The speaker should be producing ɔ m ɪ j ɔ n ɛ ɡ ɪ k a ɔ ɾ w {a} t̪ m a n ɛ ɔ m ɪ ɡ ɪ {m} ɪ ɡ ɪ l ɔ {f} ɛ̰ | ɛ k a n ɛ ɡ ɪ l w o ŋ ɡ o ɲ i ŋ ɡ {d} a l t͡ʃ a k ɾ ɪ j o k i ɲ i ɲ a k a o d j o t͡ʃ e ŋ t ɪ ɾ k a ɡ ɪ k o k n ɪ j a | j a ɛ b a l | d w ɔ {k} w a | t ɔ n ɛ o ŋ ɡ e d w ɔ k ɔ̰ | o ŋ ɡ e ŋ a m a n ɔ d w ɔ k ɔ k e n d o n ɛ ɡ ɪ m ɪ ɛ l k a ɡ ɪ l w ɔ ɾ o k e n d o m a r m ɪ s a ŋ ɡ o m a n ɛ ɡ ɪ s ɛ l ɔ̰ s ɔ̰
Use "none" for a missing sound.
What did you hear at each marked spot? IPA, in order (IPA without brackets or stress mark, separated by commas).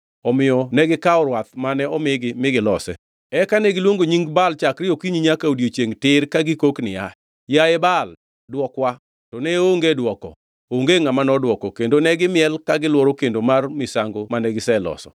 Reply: a, m, s, b, k